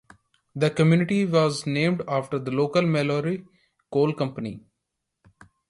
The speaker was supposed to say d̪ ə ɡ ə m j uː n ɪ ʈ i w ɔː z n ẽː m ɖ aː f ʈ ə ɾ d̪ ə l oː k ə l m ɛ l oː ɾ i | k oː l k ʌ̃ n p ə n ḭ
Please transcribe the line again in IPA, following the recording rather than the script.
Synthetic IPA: d̪ ə k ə m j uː n ɪ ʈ i ʋ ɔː z n ẽː m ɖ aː f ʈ ə ɾ d̪ ə l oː k ə l m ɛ l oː ɾ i | k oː l k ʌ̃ m p ə n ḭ